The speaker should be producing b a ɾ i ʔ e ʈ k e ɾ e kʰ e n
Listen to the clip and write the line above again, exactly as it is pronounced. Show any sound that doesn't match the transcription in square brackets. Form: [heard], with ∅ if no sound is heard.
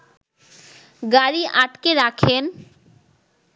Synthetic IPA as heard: [ɡ] a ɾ i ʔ [a] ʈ k e ɾ [a] kʰ e n

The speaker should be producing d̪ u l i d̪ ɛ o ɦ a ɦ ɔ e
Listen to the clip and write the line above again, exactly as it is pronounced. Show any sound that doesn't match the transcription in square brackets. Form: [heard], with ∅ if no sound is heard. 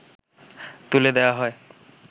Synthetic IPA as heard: [t̪] u l [e] d̪ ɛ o [∅] a ɦ ɔ e

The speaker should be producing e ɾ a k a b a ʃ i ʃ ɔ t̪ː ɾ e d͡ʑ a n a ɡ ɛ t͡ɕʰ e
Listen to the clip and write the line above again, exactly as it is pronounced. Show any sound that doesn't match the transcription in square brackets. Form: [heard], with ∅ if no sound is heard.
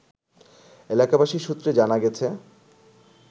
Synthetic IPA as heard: e [l] a k a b a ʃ i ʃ [u] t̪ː ɾ e d͡ʑ a n a ɡ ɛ t͡ɕʰ e

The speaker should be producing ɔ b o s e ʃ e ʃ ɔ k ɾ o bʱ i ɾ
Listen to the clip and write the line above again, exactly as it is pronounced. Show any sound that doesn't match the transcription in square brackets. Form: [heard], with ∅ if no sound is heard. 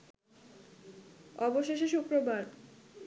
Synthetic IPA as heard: ɔ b o [ʃ] e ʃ e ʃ [u] k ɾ o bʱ [a] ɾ

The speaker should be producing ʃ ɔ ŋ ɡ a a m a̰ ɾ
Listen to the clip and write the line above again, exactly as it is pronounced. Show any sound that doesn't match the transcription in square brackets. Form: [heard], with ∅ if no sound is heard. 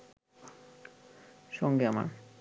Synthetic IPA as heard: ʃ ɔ ŋ ɡ [e] a m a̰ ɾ

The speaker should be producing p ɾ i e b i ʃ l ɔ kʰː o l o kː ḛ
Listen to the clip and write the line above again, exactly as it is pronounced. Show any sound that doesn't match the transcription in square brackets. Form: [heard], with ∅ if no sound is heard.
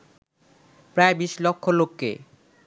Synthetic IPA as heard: p ɾ [a] e b i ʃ l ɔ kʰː o l o kː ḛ

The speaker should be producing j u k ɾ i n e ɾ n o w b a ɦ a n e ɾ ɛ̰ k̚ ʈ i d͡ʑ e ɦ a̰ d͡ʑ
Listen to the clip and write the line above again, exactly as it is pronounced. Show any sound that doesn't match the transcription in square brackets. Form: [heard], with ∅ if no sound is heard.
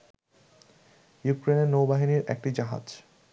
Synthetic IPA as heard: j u k ɾ [e] n e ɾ n o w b a ɦ [i] n [i] ɾ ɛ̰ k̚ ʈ i d͡ʑ [a] ɦ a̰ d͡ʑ

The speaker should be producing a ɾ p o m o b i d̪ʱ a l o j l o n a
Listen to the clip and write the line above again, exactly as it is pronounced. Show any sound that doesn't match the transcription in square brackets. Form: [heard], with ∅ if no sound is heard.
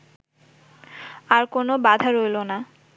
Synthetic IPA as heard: a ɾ [k] o [n] o b [a] d̪ʱ a [ɾ] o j l o n a

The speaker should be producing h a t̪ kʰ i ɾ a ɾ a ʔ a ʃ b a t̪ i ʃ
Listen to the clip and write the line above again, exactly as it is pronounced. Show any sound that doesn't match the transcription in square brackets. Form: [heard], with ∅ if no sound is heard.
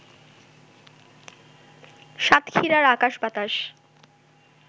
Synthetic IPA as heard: [ʃ] a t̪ kʰ i ɾ a ɾ a [k] a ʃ b a t̪ [a] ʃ

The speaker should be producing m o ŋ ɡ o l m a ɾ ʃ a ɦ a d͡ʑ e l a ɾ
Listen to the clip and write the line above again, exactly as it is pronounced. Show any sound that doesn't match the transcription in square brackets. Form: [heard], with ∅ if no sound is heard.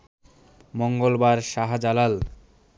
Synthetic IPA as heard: m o ŋ ɡ o l [b] a ɾ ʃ a ɦ a d͡ʑ [a] l a [l]

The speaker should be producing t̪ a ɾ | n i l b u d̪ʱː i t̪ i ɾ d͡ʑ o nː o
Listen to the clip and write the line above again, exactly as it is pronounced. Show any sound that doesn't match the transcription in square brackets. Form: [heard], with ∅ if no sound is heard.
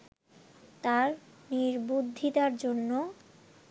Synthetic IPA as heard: t̪ a ɾ | n i [ɾ] b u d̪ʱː i t̪ [a] ɾ d͡ʑ o nː o

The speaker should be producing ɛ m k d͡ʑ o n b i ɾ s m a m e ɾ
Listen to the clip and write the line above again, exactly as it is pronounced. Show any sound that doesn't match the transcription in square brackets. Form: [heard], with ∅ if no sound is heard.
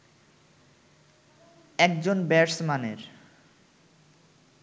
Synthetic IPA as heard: ɛ [∅] k d͡ʑ o n b [ɛ] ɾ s m a [n] e ɾ

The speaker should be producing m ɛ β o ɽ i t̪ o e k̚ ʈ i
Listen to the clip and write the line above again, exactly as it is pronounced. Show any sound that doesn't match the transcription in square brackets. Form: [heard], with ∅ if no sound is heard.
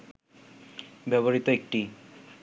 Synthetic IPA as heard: [b] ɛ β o [ɾ] i t̪ o e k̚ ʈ i

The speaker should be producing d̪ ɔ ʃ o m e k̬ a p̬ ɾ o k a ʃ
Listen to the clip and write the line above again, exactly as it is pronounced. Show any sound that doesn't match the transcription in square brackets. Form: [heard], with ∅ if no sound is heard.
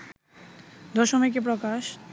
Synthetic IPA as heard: d̪ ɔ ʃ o m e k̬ [e] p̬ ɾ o k a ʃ

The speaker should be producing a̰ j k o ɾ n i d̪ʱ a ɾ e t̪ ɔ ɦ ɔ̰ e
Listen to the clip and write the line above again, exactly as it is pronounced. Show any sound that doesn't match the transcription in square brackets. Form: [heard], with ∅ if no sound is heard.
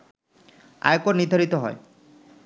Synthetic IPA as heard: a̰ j k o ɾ n i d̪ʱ a ɾ [i] t̪ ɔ ɦ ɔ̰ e

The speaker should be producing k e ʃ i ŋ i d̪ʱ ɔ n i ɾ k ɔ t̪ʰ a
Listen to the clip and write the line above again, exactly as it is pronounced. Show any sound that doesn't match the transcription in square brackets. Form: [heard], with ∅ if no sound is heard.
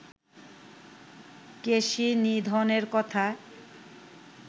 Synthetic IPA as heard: k e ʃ i [n] i d̪ʱ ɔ n [e] ɾ k ɔ t̪ʰ a

